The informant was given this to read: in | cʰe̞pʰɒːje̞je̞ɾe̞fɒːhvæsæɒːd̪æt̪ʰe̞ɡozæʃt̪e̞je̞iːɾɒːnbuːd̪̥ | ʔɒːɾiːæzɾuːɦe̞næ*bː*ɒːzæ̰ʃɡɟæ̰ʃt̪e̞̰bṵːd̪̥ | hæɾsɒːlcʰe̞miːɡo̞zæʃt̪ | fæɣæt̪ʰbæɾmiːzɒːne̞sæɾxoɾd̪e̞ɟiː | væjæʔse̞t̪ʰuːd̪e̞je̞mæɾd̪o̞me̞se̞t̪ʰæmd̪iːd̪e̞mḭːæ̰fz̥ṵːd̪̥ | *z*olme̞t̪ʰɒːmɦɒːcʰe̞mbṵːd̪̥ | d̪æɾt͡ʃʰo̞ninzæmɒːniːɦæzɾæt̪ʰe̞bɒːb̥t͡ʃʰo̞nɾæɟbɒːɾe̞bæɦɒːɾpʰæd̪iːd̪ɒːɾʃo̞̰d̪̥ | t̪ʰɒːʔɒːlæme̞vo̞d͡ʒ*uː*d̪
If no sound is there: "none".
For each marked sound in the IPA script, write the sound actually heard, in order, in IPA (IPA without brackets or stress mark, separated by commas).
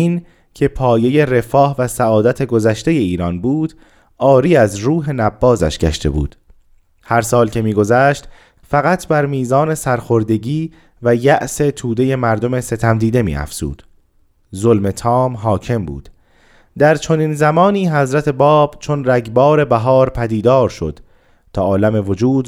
bː, z, uː